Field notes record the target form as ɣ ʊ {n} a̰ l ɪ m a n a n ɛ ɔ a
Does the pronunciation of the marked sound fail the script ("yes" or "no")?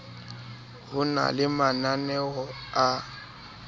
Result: no